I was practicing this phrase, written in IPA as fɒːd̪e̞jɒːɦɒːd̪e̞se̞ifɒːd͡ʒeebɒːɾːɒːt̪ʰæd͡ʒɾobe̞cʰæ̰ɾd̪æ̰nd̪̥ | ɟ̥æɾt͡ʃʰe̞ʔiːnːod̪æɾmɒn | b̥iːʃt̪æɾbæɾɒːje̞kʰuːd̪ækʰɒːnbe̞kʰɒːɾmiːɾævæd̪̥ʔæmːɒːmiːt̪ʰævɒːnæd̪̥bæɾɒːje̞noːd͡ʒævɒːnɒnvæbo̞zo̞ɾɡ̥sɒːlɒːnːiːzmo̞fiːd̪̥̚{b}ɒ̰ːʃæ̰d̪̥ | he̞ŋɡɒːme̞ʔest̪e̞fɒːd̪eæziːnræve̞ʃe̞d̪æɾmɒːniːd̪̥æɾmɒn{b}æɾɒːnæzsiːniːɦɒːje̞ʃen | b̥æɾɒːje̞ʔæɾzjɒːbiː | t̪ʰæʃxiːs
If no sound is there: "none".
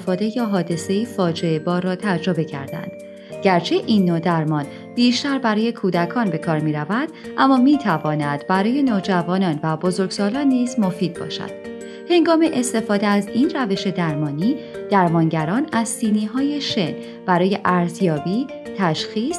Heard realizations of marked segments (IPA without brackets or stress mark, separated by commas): b, ɟ